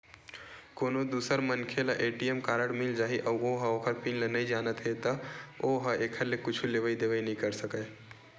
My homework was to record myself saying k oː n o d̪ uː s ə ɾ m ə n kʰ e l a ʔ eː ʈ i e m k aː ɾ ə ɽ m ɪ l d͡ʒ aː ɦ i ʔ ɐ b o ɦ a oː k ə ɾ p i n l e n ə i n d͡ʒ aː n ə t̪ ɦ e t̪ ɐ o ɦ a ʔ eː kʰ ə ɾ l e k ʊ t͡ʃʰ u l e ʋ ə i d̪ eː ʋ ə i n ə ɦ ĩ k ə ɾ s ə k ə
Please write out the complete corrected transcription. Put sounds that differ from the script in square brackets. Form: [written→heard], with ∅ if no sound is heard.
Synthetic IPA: k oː n o d̪ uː s ə ɾ m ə n kʰ e l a ʔ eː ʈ i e m k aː ɾ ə ɽ m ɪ l d͡ʒ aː ɦ i ʔ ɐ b o ɦ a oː k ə ɾ p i n l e n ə i [n→∅] d͡ʒ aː n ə t̪ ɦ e t̪ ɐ o ɦ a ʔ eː kʰ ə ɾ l e k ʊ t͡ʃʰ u l e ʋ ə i d̪ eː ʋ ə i n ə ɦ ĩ k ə ɾ s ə k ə